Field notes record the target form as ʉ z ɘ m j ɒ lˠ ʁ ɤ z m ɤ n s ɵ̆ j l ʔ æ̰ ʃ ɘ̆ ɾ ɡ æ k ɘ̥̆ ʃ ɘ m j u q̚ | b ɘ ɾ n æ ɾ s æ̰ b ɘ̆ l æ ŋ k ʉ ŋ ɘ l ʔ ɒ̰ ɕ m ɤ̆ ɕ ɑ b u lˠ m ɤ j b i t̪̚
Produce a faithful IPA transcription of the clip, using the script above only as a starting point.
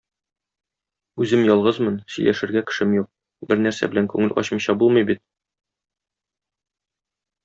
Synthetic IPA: ʉ z ɘ m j ɒ lˠ ʁ ɤ z m ɤ n s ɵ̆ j l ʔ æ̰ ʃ ɘ̆ ɾ ɡ æ k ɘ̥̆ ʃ ɘ m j u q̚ | b ɘ ɾ n æ ɾ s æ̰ b ɘ̆ l æ ŋ k ʉ ŋ ɘ l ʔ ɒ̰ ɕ m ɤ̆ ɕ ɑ b u lˠ m ɤ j b i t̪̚